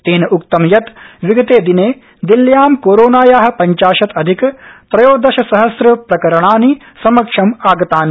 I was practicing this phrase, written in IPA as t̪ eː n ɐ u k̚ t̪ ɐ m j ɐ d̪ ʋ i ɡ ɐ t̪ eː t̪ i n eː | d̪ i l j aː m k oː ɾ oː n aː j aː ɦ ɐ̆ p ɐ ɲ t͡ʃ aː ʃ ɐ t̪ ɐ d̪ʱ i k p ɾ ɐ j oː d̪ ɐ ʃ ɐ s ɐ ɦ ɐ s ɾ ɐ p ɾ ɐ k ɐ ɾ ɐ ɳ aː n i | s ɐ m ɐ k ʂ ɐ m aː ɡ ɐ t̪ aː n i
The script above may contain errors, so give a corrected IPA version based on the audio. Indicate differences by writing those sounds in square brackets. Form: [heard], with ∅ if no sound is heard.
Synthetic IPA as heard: t̪ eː n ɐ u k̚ t̪ ɐ m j ɐ [t̪] ʋ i ɡ ɐ t̪ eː [d̪] i n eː | d̪ i l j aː m k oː ɾ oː n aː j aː ɦ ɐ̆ p ɐ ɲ t͡ʃ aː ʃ ɐ t̪ ɐ d̪ʱ i k p ɾ ɐ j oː d̪ ɐ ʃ ɐ s ɐ ɦ ɐ s ɾ ɐ p ɾ ɐ k ɐ ɾ ɐ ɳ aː n i | s ɐ m ɐ k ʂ ɐ m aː ɡ ɐ t̪ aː n i